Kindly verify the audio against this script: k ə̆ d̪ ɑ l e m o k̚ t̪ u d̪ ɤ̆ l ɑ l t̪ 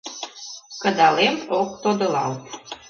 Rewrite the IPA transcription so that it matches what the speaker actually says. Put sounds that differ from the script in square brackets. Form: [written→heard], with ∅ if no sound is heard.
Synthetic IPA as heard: k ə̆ d̪ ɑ l e m o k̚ t̪ [u→o] d̪ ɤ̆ l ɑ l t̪

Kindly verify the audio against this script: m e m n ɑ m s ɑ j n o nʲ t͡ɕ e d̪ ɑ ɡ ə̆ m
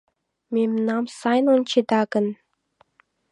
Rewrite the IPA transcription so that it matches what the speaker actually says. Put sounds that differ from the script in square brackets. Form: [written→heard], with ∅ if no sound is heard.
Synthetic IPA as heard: m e m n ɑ m s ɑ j n o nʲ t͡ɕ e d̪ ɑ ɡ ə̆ [m→n]

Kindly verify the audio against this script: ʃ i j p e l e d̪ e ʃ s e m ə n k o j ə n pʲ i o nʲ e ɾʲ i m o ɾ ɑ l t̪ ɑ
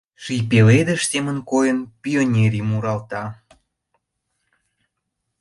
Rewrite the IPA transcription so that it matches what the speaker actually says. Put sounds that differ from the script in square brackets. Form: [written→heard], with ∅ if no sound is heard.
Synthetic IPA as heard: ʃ i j p e l e d̪ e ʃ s e m ə n k o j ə n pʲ i o nʲ e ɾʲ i m [o→u] ɾ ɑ l t̪ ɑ

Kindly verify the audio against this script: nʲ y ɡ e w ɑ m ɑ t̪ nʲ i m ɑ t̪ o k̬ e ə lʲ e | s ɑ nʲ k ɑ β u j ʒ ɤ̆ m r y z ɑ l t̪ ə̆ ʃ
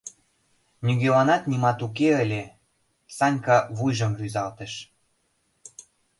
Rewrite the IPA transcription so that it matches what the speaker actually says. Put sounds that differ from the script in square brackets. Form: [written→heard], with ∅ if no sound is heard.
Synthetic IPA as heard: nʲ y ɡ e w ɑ [m→n] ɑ t̪ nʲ i m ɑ t̪ [o→u] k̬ e ə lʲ e | s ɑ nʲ k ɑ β u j ʒ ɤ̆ m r y z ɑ l t̪ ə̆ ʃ

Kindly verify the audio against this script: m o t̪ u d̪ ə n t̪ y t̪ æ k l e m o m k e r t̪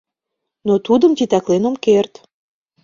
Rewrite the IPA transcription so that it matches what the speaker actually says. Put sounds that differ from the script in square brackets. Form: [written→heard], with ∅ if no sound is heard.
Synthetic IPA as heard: [m→n] o t̪ u d̪ ə [n→m] t̪ [y→i] t̪ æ k l e [m→n] o m k e r t̪

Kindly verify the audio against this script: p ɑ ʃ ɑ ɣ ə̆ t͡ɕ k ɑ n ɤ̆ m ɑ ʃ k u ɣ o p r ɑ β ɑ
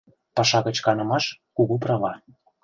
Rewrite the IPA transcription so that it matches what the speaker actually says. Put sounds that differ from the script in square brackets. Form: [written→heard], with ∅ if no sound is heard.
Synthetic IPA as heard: p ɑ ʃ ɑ ɣ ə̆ t͡ɕ k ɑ n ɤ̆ m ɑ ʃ k u ɣ [o→u] p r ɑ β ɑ

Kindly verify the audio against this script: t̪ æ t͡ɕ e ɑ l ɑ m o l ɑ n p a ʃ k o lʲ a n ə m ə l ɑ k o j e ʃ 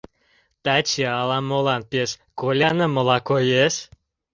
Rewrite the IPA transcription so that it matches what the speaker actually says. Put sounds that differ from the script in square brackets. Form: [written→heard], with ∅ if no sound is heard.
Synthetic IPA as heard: t̪ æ t͡ɕ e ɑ l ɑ m o l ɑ n p [a→e] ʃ k o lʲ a n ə m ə l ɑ k o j e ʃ

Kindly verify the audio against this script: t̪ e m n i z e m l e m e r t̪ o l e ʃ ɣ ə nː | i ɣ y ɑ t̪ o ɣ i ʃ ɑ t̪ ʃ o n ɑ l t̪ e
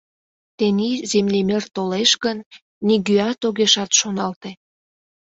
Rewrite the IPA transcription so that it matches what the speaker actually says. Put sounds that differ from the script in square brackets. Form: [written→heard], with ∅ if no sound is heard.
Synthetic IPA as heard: t̪ e [m→∅] n i z e m l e m e r t̪ o l e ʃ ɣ ə nː | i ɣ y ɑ t̪ o ɣ [i→e] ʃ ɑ t̪ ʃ o n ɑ l t̪ e

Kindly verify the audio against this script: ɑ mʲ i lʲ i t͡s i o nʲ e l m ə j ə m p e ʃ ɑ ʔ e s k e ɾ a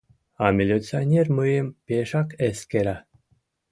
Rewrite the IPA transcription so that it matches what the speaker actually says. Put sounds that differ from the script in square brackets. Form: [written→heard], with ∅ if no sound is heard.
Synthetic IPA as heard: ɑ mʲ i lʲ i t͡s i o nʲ e [l→r] m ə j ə m p e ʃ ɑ [ʔ→k] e s k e ɾ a

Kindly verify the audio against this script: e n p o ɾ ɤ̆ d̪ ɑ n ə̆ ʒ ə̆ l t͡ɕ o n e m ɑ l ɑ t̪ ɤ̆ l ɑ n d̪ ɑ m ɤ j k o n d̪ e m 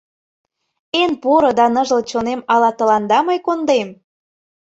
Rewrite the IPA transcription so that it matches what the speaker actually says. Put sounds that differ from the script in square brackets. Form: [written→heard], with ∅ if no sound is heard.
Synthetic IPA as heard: e n p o ɾ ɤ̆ d̪ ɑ n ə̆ ʒ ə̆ l t͡ɕ o n e m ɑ l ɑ t̪ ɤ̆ l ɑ n d̪ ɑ m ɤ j k o n d̪ e m

